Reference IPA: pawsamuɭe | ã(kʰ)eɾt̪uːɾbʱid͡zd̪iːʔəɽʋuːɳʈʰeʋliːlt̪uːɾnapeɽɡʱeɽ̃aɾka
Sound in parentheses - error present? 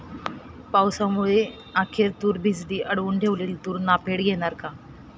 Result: no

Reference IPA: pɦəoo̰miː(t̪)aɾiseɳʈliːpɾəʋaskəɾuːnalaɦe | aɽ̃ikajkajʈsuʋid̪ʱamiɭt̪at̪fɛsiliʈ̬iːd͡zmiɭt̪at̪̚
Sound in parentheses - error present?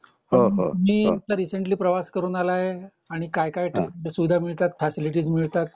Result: no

